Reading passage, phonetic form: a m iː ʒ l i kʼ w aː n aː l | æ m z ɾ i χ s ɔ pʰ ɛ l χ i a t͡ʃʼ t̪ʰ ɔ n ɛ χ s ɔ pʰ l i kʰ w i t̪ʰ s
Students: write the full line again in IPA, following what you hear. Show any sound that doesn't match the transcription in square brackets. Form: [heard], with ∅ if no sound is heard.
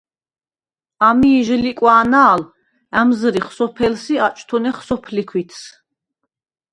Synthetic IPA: a m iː ʒ l i kʼ w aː n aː l | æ m z ɾ i χ s ɔ pʰ ɛ l [s] i a t͡ʃʼ t̪ʰ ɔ n ɛ χ s ɔ pʰ l i kʰ w i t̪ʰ s